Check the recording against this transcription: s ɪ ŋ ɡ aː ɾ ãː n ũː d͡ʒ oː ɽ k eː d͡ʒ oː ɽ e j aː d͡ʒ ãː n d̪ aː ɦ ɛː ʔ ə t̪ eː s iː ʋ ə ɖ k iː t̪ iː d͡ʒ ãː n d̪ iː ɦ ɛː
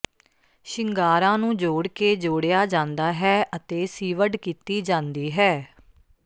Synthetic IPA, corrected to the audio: ʃ ɪ ŋ ɡ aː ɾ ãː n ũː d͡ʒ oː ɽ k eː d͡ʒ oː ɽ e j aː d͡ʒ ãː n d̪ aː ɦ ɛː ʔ ə t̪ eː s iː ʋ ə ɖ k iː t̪ iː d͡ʒ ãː n d̪ iː ɦ ɛː